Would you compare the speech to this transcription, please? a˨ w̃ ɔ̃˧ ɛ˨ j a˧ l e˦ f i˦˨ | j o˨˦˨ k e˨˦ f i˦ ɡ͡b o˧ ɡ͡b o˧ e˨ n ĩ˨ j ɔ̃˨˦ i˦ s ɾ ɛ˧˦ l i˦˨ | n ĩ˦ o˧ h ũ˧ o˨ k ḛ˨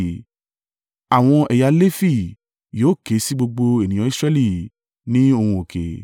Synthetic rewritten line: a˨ w̃ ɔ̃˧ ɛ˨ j a˧ l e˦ f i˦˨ | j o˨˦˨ k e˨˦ s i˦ ɡ͡b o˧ ɡ͡b o˧ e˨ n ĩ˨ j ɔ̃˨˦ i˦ s ɾ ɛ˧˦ l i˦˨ | n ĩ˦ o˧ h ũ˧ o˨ k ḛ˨

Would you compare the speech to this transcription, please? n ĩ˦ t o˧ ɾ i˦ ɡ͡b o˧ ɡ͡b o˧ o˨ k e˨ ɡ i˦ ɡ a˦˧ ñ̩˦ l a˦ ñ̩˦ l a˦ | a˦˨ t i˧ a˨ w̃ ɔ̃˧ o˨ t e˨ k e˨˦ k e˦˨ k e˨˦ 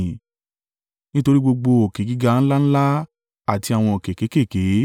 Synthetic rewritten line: n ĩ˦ t o˧ ɾ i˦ ɡ͡b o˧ ɡ͡b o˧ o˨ k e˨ ɡ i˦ ɡ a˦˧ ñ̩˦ l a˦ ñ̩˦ l a˦ | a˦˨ t i˧ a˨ w̃ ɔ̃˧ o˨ k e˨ k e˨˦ k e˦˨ k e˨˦

